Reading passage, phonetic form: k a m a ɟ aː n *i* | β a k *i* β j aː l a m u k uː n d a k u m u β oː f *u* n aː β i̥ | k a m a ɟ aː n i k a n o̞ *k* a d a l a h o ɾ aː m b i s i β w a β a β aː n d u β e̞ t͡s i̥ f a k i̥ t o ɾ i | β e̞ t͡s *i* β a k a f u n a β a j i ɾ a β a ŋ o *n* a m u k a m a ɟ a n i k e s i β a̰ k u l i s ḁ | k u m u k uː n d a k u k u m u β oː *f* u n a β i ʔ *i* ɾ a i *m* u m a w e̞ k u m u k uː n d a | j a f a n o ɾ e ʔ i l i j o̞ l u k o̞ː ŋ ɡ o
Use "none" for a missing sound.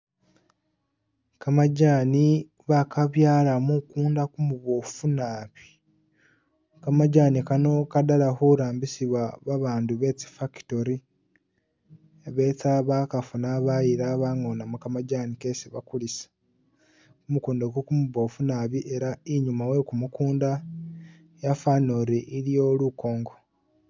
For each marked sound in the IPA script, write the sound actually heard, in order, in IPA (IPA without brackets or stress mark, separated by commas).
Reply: i, a, u, k, a, n, f, e, ɲ